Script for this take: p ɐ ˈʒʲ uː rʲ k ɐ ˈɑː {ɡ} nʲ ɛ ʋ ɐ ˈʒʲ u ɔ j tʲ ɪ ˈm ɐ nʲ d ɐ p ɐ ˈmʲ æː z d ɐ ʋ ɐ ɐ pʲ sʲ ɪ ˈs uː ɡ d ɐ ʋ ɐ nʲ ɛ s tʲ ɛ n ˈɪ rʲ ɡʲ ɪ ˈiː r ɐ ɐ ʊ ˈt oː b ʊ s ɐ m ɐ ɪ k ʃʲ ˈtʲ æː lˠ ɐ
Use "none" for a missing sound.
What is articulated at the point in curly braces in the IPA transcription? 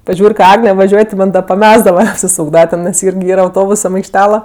ɡ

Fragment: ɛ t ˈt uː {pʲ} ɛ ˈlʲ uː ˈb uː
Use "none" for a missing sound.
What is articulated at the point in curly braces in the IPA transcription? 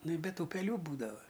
pʲ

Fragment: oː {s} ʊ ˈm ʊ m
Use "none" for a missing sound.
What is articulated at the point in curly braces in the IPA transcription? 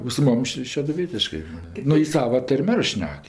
s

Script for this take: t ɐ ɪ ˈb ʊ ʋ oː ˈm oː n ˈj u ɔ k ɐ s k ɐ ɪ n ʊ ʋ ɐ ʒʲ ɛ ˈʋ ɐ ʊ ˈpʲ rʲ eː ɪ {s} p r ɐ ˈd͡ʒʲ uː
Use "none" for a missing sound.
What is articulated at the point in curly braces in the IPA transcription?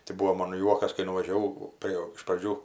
ʃ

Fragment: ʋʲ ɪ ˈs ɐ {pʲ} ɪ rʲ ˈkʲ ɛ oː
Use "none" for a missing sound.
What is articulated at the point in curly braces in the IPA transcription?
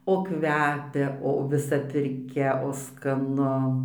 pʲ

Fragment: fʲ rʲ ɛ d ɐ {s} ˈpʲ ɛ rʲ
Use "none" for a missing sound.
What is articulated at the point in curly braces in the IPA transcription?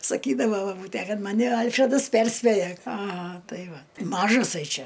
s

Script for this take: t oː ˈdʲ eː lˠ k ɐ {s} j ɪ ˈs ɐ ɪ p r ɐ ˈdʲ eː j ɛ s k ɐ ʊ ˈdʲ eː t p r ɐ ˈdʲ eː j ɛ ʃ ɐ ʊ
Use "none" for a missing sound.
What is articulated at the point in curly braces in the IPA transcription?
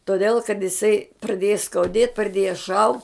t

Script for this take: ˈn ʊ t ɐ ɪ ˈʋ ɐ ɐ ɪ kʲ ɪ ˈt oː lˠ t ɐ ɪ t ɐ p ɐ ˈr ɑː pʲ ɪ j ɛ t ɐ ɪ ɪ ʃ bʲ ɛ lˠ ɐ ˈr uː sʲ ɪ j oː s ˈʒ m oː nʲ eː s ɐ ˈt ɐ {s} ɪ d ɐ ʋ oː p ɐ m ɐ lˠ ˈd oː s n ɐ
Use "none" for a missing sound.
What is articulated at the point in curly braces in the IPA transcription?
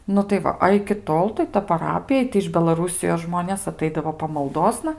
none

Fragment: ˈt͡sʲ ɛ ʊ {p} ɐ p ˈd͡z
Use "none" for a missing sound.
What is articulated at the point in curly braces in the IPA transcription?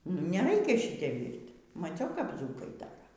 k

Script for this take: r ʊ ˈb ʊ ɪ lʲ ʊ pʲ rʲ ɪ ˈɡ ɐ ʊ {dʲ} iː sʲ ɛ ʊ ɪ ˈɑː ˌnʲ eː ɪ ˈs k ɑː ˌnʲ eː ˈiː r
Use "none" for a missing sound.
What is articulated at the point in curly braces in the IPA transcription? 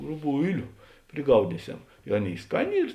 dʲ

